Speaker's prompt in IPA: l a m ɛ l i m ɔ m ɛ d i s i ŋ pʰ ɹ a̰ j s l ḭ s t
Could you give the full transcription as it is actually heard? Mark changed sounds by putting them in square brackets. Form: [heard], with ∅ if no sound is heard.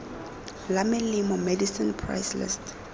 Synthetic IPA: l a m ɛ l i m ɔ m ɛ d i s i [n] pʰ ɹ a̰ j s l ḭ s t